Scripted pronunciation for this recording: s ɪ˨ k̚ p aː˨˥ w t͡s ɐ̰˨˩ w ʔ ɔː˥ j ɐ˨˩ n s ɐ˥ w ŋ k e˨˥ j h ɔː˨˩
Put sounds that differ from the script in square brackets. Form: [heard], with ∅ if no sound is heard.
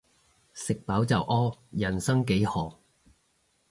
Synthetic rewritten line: s ɪ˨ k̚ p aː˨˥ w t͡s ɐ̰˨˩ w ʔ ɔː˥ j ɐ˨˩ n s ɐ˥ [∅] ŋ k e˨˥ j h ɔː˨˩